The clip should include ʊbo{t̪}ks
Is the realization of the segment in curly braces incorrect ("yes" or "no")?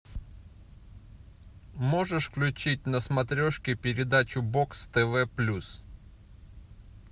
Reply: yes